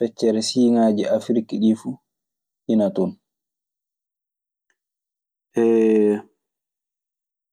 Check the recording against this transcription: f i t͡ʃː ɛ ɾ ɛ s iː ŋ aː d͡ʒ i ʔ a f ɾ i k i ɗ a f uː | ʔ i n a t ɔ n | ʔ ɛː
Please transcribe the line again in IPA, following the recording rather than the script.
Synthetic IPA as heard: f ɛ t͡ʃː ɛ ɾ ɛ s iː ŋ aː d͡ʒ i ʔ a f ɾ i k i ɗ i f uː | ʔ i n a t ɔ n | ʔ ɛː